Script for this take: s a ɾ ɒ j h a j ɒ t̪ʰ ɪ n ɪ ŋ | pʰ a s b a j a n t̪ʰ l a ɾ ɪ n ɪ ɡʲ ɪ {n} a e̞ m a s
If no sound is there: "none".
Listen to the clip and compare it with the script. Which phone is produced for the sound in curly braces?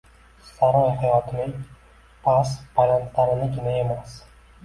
n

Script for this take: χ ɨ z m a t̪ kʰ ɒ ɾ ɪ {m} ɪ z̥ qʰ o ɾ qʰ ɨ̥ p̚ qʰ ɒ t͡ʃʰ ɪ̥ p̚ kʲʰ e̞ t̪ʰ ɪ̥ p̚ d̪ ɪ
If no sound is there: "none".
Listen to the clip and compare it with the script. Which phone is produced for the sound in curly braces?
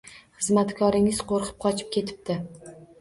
ŋ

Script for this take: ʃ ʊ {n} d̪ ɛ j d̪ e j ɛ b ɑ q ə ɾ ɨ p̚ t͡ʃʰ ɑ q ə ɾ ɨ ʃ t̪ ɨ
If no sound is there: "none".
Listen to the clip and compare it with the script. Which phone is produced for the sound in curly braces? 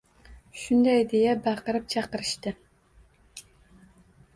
n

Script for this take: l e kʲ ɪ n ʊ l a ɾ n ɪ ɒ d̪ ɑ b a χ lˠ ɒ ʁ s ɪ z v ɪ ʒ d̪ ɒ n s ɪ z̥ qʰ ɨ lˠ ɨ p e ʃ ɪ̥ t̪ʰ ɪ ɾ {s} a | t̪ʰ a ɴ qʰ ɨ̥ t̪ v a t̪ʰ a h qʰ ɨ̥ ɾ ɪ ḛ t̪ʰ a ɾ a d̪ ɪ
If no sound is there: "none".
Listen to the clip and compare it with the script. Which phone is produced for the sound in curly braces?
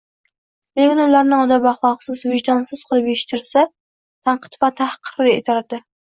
s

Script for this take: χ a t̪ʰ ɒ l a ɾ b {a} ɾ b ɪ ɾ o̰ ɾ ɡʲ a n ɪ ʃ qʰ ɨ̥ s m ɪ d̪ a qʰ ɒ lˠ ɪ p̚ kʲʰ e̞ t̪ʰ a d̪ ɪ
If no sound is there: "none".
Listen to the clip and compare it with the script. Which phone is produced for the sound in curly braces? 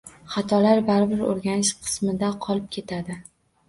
a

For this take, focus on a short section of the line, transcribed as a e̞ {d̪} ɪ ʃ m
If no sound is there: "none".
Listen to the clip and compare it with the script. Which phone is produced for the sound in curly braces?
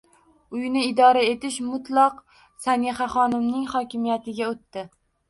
t̪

